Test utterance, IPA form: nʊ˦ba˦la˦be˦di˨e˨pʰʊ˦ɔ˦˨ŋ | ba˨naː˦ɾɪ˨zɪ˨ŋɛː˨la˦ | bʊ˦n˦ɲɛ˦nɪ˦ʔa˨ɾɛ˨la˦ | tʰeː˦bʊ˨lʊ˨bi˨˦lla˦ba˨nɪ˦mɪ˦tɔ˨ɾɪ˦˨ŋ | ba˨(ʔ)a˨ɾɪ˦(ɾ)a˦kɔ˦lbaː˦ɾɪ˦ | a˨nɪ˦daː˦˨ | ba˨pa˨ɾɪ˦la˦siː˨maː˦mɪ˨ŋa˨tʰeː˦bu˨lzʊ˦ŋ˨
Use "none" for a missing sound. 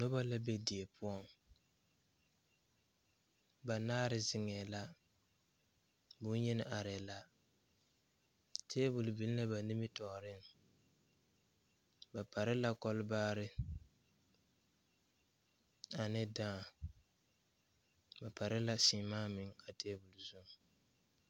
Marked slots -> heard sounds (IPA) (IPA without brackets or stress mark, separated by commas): p, l